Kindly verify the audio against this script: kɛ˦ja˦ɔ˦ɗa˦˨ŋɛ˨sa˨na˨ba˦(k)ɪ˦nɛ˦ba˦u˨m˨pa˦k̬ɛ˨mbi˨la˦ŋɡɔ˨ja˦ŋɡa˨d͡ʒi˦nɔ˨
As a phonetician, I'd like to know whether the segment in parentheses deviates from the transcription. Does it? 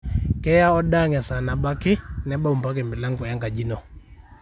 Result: no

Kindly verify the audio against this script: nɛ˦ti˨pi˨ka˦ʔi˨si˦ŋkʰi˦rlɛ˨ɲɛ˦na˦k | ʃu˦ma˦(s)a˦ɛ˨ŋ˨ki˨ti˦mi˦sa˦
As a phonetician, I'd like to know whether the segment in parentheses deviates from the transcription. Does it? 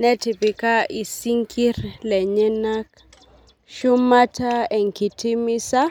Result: yes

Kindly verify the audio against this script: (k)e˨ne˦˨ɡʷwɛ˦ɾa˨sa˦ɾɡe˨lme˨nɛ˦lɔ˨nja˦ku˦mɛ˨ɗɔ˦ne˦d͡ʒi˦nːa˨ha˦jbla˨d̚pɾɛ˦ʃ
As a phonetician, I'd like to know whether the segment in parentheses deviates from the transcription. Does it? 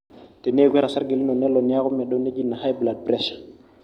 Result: yes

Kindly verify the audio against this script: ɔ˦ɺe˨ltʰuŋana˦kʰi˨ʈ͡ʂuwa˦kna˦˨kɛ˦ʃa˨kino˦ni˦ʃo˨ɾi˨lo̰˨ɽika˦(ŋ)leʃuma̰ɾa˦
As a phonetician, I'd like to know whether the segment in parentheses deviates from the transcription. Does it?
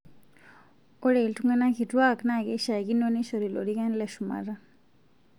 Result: yes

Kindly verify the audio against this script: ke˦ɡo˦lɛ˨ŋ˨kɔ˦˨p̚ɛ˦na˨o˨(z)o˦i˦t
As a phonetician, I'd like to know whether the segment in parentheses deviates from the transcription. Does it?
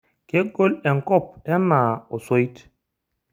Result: yes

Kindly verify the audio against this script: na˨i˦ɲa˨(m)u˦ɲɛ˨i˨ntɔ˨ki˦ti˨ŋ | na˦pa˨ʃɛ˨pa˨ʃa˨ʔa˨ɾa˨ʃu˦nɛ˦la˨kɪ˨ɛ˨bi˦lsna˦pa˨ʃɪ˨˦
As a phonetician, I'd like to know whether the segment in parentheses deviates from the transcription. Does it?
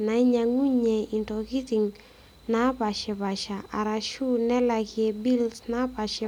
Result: yes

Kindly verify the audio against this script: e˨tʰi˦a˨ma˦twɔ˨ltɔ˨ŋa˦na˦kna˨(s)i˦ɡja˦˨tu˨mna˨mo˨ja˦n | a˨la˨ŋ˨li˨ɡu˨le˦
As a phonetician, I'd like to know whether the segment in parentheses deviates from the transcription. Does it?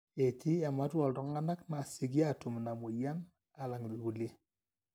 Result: no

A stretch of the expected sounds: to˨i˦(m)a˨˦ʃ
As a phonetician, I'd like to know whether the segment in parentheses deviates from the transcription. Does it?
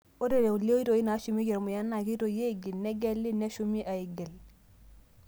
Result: yes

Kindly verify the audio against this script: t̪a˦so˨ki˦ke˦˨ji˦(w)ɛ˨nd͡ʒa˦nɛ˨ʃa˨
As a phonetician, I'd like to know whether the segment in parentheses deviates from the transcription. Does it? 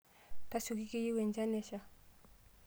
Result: no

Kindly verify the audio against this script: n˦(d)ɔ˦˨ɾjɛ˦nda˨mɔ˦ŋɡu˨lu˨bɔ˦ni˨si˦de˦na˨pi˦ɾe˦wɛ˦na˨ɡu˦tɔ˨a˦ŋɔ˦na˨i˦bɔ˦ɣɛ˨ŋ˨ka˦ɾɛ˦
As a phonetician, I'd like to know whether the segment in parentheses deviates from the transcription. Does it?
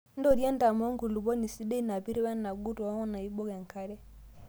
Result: no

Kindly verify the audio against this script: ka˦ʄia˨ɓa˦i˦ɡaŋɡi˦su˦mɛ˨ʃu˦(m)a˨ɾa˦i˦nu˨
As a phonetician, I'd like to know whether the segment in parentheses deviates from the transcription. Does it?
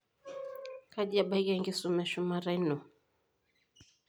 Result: no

